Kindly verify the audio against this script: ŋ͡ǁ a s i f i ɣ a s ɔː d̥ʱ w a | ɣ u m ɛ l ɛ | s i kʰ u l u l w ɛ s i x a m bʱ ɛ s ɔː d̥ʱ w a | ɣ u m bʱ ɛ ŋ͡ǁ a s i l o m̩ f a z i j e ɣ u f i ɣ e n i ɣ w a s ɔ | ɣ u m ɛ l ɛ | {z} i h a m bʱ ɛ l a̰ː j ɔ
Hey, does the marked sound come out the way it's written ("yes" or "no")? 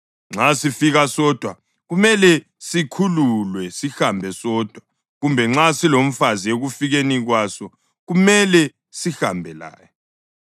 no